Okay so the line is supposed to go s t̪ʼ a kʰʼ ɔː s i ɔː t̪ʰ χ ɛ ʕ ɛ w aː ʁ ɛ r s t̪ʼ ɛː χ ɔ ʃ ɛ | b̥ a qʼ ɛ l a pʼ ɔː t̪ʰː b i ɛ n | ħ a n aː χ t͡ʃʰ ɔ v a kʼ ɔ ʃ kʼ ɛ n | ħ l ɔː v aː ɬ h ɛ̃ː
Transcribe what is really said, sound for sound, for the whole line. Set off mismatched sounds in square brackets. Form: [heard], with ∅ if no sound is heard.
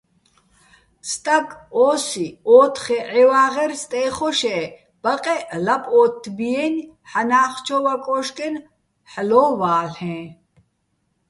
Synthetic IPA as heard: s t̪ʼ a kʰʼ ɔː s i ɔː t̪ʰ χ ɛ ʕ ɛ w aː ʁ ɛ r s t̪ʼ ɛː χ ɔ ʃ ɛ | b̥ a qʼ ɛ l a pʼ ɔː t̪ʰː b i ɛ n | ħ a n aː χ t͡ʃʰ ɔ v a kʼ ɔ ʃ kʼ ɛ n | ħ l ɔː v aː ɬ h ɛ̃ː